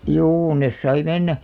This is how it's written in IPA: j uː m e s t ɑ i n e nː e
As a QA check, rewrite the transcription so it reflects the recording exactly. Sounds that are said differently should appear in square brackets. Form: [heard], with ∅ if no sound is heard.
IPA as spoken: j uː [n] e s [s] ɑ i [m] e nː [æ]

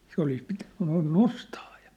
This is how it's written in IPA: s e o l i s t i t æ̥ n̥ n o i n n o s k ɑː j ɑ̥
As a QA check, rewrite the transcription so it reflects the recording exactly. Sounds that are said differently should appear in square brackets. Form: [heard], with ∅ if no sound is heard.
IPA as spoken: s e o l i s [p] i t æ̥ n̥ n o i n n o s [t] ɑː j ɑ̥

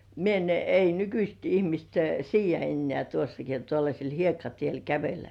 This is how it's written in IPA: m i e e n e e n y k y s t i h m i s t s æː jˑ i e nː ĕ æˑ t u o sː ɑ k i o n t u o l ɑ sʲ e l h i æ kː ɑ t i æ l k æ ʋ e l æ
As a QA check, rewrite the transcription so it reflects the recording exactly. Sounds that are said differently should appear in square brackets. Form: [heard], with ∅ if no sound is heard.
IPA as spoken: m i e e n e [i] n y k y s t i h m i s t s [iː] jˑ [æ] e nː ĕ æˑ t u o sː ɑ k i o n t u o [lː] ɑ sʲ e l h i [e] kː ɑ t i [e] l k æ ʋ e [lː] æ

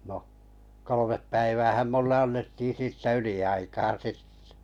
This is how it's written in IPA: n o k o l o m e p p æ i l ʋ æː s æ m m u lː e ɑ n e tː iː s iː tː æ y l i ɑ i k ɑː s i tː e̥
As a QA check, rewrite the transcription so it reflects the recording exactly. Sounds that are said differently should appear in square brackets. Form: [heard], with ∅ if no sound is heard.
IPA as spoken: n o k o l o m e p p æ i [∅] ʋ æː [h] æ m m u lː e ɑ [nː] e tː iː s iː tː æ y l i ɑ i k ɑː s i tː e̥

